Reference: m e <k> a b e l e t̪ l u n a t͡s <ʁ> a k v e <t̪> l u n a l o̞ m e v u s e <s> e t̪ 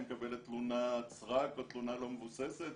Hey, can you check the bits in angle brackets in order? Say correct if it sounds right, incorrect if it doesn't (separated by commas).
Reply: correct, correct, correct, correct